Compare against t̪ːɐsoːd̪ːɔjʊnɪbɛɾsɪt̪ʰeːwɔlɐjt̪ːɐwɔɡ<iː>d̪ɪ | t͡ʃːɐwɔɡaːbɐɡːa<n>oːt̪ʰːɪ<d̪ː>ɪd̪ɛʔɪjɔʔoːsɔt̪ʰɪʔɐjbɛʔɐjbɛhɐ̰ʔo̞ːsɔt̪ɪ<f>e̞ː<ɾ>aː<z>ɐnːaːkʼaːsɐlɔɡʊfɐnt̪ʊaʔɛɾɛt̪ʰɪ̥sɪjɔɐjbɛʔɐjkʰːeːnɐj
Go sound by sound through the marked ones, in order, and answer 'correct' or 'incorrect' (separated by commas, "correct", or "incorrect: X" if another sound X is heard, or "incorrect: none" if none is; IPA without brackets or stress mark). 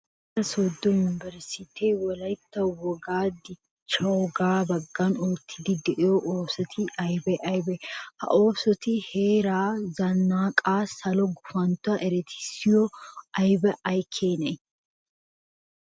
incorrect: aː, correct, incorrect: d̪, incorrect: h, correct, correct